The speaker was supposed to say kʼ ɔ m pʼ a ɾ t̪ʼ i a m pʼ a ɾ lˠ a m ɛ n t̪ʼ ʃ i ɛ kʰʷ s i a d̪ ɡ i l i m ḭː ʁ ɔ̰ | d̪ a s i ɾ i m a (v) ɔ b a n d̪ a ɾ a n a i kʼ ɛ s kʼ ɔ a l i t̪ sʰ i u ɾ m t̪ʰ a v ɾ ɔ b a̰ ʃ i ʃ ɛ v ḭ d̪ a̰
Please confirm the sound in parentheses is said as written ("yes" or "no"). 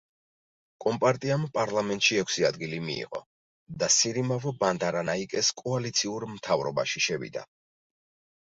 yes